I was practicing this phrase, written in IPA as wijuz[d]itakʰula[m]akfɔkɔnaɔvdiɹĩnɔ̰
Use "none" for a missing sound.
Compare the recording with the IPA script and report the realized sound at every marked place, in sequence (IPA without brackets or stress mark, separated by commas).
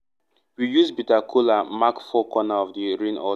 b, m